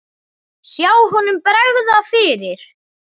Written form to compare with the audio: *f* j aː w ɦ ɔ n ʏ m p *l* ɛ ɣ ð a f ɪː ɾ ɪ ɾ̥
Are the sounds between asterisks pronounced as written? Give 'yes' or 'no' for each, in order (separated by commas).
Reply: no, no